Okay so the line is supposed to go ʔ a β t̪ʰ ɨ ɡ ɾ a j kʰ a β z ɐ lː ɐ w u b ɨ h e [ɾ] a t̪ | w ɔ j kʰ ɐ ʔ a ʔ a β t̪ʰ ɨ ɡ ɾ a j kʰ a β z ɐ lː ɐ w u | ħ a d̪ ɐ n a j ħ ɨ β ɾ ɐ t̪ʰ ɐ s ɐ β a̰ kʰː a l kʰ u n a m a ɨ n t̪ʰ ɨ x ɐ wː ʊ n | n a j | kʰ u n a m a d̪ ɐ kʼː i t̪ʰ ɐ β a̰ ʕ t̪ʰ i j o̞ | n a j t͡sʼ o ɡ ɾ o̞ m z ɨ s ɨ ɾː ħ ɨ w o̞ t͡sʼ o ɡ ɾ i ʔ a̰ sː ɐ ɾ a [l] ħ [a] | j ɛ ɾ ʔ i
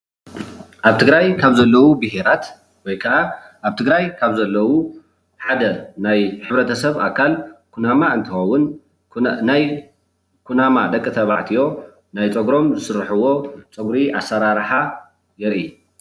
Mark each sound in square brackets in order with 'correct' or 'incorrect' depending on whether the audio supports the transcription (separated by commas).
correct, incorrect, correct